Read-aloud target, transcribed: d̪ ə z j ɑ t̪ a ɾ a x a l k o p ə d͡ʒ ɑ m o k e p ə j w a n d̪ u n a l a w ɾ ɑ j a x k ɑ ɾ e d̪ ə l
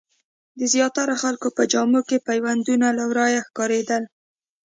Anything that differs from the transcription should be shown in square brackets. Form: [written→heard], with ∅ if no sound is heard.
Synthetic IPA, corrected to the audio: d̪ ə z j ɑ t̪ a ɾ a x a l k o p ə d͡ʒ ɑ m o k e p [ə→a] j w a n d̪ u n a l a w ɾ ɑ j a x k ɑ ɾ e d̪ ə l